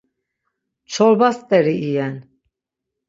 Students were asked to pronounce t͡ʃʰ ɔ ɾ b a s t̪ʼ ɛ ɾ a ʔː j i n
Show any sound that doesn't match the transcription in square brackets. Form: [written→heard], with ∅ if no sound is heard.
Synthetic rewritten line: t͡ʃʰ ɔ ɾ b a s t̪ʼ ɛ ɾ [a→i] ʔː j [i→ɛ] n